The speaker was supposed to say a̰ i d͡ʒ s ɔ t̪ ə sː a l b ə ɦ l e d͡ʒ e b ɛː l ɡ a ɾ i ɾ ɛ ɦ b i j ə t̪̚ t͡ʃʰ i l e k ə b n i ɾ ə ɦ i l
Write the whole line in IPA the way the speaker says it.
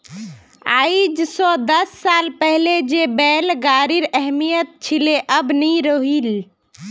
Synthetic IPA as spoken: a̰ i d͡ʒ s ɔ d̪ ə sː a l p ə ɦ l e d͡ʒ e b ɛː l ɡ a ɾ i ɾ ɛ ɦ m i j ə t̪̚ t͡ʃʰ i l e ʔ ə b n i ɾ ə ɦ i l